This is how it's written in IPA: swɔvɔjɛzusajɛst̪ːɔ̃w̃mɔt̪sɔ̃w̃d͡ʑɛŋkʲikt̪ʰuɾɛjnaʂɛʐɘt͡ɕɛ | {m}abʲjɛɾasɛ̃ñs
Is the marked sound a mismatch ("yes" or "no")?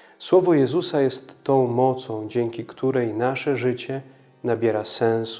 yes